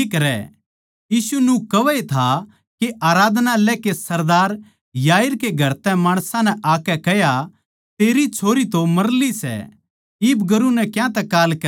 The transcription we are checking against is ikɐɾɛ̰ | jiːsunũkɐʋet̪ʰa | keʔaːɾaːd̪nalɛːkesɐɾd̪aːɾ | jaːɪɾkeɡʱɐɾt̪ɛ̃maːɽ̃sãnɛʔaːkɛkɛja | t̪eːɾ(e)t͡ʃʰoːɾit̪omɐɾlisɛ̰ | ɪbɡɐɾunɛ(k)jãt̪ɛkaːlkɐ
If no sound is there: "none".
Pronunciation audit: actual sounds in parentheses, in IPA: i, k

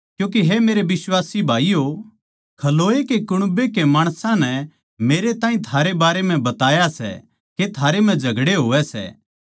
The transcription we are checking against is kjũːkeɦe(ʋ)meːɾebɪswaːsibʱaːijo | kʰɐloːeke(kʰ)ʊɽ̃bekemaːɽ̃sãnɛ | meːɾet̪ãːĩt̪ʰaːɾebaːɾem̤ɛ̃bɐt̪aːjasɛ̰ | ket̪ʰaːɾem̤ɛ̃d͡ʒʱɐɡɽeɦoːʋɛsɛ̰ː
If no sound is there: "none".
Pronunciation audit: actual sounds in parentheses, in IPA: none, k

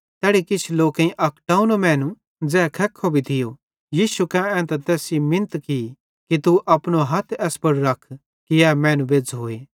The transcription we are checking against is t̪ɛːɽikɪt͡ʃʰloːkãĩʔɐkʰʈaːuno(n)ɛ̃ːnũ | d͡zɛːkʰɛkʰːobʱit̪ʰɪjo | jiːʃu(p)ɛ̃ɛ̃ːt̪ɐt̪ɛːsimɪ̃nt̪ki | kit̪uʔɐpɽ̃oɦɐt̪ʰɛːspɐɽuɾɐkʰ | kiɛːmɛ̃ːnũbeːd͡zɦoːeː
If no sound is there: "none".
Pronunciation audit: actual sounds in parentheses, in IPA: m, k

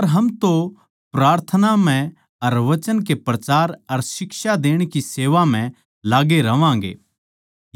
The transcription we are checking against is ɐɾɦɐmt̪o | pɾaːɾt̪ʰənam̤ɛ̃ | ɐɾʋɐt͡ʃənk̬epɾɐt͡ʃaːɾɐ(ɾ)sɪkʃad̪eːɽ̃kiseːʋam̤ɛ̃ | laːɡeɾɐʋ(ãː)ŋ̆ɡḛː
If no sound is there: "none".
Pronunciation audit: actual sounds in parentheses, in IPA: ɾ, ãː

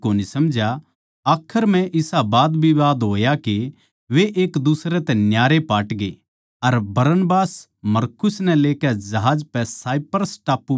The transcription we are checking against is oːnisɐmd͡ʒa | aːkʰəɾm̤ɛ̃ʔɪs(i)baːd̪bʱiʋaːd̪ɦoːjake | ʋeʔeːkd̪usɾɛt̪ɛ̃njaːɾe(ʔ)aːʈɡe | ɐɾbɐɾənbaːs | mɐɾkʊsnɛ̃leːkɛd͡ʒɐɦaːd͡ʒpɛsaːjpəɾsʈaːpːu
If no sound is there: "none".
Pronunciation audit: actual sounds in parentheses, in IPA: a, p

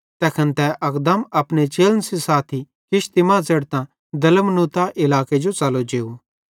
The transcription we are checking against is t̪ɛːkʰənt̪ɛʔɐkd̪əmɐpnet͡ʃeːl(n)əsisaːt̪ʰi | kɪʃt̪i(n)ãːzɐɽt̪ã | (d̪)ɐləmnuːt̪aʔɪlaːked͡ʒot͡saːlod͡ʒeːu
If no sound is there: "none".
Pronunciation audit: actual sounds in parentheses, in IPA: n, m, d̪

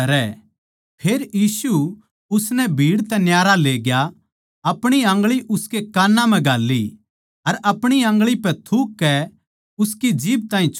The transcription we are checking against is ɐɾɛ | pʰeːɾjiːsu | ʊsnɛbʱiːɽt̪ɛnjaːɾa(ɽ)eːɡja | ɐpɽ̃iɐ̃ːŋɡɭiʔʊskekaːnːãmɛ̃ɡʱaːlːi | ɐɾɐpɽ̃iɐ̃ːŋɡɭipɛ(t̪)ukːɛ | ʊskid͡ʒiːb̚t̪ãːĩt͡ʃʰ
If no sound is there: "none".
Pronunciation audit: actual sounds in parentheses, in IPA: l, t̪ʰ

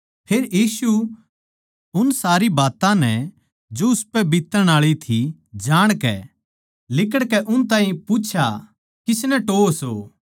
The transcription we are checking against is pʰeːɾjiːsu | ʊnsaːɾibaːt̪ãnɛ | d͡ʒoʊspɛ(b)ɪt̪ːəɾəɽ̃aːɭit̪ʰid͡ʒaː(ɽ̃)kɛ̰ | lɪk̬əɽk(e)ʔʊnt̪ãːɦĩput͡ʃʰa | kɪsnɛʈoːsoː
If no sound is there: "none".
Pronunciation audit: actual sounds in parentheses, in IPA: b, ɽ̃, ɛ

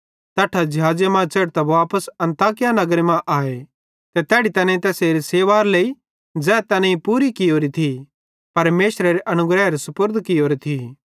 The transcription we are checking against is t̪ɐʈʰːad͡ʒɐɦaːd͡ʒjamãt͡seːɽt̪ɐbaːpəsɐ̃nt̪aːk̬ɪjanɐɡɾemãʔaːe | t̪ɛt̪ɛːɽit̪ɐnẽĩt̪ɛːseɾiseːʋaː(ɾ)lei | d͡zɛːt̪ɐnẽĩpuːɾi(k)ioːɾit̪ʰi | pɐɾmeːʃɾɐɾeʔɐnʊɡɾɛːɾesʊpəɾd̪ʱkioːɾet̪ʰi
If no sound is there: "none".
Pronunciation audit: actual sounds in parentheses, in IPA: ɾ, k

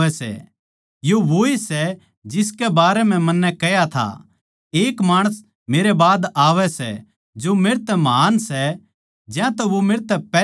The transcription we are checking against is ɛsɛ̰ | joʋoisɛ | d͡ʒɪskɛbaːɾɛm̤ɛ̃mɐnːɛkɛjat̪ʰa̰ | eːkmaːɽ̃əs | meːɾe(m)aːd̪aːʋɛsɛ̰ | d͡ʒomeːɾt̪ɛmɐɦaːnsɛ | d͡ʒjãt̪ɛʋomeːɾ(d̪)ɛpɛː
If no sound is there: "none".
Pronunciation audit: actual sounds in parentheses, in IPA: b, t̪

